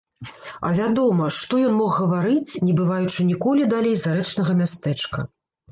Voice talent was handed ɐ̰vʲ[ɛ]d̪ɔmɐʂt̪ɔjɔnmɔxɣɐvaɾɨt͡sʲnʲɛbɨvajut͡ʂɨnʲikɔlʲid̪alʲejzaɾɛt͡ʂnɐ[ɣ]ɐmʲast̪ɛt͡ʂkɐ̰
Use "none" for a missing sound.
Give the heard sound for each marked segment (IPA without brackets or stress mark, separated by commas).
a, ɣ